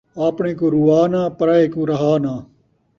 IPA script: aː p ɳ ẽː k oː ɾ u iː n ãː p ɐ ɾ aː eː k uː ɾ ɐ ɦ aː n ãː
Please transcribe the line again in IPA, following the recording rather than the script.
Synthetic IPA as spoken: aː p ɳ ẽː k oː ɾ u aː n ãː p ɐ ɾ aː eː k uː ɾ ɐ ɦ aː n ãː